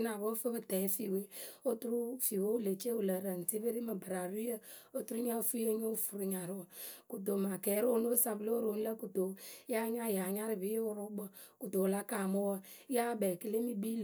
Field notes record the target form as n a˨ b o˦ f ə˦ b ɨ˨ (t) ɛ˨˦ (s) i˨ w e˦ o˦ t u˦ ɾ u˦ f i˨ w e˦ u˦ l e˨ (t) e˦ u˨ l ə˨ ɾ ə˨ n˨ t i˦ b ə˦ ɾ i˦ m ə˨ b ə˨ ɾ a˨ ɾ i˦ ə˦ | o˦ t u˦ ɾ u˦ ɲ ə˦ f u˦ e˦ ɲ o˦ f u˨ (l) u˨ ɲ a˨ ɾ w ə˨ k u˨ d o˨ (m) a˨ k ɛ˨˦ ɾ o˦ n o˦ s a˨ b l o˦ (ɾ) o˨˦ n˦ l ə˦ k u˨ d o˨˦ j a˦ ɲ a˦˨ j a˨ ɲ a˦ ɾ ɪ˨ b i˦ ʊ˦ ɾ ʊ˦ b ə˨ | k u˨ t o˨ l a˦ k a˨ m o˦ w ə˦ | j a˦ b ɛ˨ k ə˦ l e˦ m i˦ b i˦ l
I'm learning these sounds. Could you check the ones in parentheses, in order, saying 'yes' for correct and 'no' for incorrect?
yes, no, no, no, yes, yes

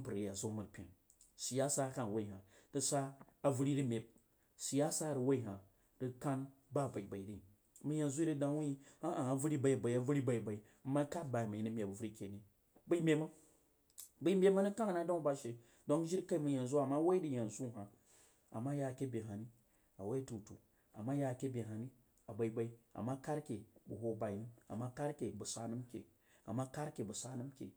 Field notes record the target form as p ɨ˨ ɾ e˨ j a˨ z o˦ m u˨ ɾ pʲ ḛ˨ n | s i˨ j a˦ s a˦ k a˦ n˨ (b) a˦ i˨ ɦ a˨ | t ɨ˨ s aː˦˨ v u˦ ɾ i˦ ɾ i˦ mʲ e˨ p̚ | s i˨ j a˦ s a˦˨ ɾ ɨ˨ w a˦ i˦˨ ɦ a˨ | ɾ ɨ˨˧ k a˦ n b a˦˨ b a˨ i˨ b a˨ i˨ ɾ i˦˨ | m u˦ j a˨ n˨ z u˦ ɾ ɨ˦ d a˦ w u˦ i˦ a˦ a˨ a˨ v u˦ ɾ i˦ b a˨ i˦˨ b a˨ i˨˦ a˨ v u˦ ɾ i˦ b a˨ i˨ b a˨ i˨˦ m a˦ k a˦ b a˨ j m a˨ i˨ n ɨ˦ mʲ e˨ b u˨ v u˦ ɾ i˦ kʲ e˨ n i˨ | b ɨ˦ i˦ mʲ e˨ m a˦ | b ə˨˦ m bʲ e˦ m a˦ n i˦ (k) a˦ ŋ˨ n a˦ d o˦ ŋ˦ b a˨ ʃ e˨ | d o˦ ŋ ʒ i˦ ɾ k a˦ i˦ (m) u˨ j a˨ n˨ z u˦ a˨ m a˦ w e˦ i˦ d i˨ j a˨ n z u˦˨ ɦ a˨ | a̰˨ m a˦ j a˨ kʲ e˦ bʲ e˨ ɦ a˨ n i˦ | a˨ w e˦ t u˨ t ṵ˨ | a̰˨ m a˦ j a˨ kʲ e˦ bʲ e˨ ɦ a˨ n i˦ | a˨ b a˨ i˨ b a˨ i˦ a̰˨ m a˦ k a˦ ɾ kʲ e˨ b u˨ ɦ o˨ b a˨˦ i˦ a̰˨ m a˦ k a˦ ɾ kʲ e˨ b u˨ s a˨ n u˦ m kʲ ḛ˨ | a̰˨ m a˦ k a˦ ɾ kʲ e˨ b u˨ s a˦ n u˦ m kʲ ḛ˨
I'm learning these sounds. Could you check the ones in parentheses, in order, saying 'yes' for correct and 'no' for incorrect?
no, yes, yes

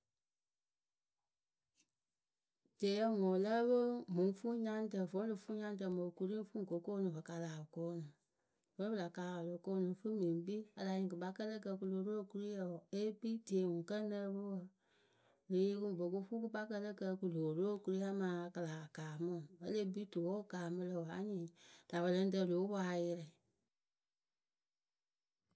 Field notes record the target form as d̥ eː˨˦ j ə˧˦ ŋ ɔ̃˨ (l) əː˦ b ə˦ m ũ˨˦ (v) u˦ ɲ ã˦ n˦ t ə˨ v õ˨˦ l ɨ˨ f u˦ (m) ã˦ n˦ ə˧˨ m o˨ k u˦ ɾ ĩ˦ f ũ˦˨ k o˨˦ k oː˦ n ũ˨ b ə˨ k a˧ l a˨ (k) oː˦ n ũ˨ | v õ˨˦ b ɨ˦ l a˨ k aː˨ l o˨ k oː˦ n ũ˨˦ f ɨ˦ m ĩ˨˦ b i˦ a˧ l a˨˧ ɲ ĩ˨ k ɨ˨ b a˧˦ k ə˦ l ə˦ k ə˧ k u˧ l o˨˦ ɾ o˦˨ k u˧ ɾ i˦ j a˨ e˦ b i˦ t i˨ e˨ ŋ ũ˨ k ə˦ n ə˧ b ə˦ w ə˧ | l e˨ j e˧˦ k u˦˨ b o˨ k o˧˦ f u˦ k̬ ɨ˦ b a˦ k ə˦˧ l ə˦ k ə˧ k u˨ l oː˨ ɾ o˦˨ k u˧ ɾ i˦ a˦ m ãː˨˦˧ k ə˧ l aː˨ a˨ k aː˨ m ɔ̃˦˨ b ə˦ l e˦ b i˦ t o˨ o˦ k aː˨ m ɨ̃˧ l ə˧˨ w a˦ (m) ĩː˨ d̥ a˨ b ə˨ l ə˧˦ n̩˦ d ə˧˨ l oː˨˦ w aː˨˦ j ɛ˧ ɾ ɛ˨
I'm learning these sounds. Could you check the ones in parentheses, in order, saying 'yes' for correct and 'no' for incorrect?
yes, no, no, yes, no

